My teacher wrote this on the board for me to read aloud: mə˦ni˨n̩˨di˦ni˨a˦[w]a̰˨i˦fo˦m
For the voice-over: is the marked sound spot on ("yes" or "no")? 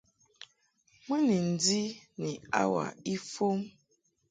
yes